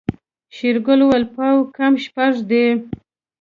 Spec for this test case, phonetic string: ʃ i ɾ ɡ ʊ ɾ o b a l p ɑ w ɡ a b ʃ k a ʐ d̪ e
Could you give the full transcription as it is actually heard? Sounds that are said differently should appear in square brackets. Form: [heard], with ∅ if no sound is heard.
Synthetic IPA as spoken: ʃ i ɾ ɡ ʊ [l] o [w] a l p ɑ w [k] a [m] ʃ [p] a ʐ d̪ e

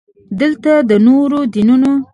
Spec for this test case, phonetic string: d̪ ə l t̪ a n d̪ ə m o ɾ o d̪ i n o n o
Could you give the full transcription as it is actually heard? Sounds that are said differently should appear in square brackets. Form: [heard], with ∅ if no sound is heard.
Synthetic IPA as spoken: d̪ ə l t̪ a [∅] d̪ ə [n] o ɾ o d̪ i n [u] n o

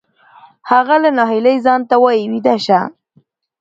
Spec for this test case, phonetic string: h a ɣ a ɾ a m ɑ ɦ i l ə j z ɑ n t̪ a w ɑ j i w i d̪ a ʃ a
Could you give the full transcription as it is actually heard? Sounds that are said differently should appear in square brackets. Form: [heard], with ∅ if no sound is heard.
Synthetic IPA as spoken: h a ɣ a [l] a [n] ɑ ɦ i l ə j z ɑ n t̪ a w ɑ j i w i d̪ a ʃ a

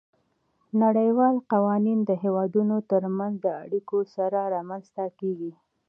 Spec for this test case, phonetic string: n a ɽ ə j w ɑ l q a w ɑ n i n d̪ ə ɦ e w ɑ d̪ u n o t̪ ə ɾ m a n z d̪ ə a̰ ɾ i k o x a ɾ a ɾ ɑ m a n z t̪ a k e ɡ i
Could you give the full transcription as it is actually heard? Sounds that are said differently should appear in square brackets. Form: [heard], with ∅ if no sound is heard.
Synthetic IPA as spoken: n a ɽ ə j w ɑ l q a w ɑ n i n d̪ ə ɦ e w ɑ d̪ u n o t̪ ə ɾ m a n z d̪ ə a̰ [ɽ] i k o [s] a ɾ a ɾ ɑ m a n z t̪ a k e ɡ i

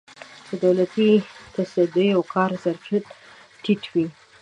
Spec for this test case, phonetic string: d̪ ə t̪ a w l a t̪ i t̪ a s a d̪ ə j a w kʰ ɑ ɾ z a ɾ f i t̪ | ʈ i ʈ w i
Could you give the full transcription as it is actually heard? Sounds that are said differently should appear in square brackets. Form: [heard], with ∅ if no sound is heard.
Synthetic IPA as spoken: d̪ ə [d̪] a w l a t̪ i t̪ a s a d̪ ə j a w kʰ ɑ ɾ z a ɾ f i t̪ | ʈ i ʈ w i

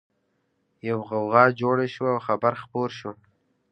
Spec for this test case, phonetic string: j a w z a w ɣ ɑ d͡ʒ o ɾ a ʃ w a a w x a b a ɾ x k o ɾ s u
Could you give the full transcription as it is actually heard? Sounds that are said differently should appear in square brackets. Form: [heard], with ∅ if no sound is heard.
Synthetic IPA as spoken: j a w [ɣ] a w ɣ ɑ d͡ʒ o [ɽ] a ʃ w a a w x a b a ɾ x [p] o ɾ [ʃ] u

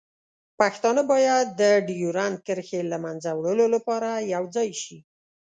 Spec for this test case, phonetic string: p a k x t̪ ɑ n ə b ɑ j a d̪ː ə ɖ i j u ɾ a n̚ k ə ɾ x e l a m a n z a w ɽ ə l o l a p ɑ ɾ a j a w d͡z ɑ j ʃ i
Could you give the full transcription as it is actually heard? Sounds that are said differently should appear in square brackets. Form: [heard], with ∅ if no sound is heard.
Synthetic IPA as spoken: p a [∅] x t̪ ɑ n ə b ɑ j a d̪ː ə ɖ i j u ɾ a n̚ k ə ɾ x e l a m a n z a w ɽ ə l o l a p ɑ ɾ a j a w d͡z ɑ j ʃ i

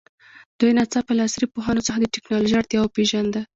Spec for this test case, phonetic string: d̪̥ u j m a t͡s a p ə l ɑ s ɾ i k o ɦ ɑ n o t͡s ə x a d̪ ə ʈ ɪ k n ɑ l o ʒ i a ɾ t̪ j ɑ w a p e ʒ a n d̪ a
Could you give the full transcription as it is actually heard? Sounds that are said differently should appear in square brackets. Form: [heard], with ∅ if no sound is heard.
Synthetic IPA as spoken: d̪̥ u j [n] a t͡s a p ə l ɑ s ɾ i [p] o ɦ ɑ n o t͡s ə x a d̪ ə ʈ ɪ k n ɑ l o ʒ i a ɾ t̪ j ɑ w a p e ʒ a n d̪ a

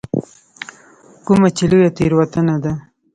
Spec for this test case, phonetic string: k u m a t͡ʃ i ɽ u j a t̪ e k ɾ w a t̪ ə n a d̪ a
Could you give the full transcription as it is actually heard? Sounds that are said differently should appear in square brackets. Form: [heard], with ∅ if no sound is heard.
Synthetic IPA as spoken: k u m a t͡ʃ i [l] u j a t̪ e [∅] ɾ w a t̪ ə n a d̪ a

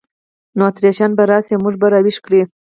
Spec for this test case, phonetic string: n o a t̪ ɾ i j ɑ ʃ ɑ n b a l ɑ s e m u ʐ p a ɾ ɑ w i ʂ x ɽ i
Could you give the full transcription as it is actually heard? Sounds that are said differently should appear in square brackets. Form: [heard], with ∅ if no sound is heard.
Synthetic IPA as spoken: n o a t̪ ɾ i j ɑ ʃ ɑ n b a [ɾ] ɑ s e m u ʐ [b] a ɾ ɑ w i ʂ [k] ɽ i

